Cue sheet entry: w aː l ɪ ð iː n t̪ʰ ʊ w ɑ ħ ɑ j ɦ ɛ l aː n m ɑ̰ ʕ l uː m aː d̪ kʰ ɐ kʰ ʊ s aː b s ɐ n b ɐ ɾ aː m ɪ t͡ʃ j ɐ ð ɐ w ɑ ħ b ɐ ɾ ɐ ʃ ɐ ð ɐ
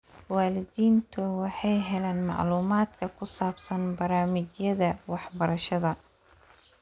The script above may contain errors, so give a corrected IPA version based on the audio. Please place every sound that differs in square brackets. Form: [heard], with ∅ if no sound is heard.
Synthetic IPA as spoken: w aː l ɪ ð iː n t̪ʰ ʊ w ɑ ħ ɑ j ɦ ɛ l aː n m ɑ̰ ʕ l uː m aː d̪ kʰ ɐ kʰ ʊ s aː b s ɐ n b ɐ ɾ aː m ɪ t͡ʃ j ɐ ð ɐ w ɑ ħ b ɐ ɾ ɐ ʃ ɐ ð ɐ